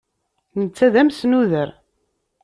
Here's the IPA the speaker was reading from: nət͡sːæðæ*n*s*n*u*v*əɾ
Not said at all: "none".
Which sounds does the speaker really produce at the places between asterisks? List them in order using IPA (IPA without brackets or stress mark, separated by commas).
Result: m, n, ð